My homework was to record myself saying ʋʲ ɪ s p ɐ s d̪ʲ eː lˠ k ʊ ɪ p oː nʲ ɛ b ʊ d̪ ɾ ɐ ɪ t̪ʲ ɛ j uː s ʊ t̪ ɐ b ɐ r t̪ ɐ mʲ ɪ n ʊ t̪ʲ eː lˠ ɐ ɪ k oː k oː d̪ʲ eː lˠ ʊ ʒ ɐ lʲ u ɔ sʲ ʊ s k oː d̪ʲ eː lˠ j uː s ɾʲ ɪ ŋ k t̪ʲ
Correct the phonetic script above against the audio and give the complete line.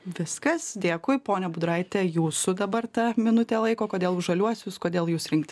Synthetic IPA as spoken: ʋʲ ɪ s k ɐ s d̪ʲ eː k ʊ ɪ p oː nʲ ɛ b ʊ d̪ ɾ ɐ ɪ t̪ʲ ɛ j uː s ʊ d̪ ɐ b ɐ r t̪ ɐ mʲ ɪ n ʊ t̪ʲ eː lˠ ɐ ɪ k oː k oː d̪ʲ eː lˠ ʊ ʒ ɐ lʲ u ɔ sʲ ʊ s k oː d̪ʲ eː lˠ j uː s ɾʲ ɪ ŋ k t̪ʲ